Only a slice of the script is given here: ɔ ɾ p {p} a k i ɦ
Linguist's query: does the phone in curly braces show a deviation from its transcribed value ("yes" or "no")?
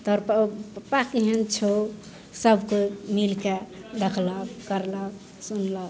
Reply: no